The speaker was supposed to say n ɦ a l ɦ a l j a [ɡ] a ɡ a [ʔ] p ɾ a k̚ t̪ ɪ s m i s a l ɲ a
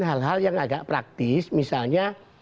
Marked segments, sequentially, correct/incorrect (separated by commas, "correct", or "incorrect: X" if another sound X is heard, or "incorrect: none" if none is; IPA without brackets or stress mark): incorrect: ŋ, correct